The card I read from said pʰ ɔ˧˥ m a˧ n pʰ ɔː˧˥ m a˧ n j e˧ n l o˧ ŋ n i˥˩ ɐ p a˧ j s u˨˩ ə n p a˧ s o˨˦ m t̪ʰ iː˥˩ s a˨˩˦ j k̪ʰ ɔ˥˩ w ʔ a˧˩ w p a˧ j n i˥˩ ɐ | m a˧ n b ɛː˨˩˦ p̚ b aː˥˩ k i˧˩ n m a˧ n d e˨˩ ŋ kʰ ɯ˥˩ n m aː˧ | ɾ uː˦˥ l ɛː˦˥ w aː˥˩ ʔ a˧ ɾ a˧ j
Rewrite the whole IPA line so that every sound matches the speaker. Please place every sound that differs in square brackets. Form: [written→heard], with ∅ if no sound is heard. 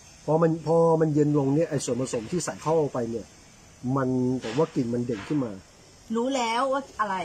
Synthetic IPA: pʰ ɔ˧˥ m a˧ n pʰ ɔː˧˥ m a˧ n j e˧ n l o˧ ŋ n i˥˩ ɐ [p→ʔ] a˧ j s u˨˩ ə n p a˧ s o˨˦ m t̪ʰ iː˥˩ s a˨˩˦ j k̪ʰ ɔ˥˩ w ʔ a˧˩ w p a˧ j n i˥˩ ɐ | m a˧ n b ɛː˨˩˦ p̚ [b→w] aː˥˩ k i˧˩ n m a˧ n d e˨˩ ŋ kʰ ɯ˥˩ n m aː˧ | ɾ uː˦˥ l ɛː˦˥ w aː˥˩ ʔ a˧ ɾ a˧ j